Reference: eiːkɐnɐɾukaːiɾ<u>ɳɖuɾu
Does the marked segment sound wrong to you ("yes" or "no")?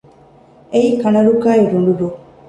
no